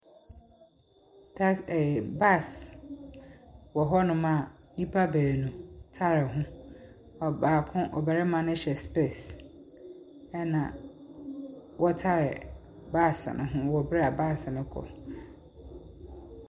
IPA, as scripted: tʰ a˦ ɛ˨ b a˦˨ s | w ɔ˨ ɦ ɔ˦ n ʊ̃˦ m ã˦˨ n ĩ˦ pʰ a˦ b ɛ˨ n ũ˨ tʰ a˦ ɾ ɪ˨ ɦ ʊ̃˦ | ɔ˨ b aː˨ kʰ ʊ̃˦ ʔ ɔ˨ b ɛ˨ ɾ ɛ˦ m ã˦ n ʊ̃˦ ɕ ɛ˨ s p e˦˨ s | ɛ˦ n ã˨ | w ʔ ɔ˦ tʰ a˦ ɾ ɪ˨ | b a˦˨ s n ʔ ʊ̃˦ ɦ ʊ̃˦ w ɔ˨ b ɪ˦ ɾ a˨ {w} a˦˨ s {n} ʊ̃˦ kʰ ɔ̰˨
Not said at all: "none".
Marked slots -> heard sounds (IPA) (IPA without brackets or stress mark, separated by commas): b, n